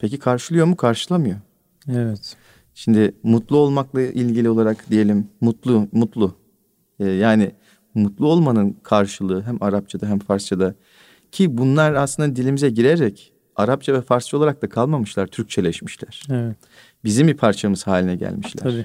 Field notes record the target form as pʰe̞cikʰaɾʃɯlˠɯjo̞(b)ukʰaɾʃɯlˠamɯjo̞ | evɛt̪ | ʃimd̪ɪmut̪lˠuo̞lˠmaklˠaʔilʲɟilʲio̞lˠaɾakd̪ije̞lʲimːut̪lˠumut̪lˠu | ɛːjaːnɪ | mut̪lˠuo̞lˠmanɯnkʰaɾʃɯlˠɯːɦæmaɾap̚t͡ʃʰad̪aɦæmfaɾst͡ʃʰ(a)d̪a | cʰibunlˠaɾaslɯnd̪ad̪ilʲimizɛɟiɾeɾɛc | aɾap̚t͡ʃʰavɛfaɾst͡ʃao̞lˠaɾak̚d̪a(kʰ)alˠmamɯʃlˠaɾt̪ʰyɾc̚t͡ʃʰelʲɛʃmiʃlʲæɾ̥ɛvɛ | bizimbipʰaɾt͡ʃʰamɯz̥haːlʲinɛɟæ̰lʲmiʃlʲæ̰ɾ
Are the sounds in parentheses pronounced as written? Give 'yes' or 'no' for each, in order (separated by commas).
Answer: no, yes, yes